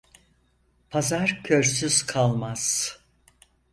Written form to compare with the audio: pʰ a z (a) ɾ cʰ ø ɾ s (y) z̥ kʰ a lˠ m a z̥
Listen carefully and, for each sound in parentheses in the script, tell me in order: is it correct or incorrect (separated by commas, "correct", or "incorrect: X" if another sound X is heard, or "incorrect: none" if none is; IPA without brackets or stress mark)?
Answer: correct, correct